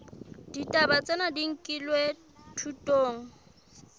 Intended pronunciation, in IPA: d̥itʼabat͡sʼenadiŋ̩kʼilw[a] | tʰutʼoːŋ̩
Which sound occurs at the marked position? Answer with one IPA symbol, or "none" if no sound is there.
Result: e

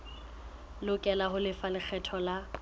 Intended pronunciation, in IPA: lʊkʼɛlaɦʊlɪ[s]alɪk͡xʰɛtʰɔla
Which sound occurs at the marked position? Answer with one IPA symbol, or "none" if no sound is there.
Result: f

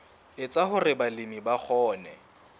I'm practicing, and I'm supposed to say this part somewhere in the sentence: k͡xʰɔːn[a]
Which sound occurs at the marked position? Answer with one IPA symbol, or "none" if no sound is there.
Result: ɛ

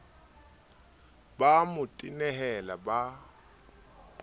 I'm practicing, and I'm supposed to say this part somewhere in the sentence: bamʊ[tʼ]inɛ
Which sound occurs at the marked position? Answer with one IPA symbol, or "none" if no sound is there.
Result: tʼ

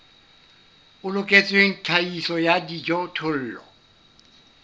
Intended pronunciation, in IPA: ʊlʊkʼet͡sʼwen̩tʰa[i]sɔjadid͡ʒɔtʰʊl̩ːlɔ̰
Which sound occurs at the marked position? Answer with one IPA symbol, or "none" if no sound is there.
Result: i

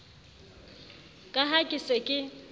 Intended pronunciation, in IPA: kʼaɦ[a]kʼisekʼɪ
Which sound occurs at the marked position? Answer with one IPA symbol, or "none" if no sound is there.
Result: a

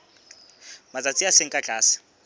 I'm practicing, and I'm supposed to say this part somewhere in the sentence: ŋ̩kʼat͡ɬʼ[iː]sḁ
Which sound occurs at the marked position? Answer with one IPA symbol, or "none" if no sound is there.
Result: aː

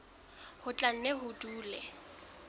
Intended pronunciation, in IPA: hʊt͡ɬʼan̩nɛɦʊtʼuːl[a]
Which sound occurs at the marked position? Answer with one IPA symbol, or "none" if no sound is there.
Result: ɛ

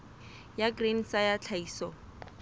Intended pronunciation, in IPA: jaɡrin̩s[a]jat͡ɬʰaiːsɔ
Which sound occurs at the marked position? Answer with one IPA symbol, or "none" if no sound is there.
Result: a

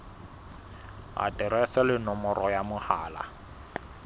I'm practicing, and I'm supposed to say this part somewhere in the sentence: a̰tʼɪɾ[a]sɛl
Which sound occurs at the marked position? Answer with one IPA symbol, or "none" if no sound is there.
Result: ɛ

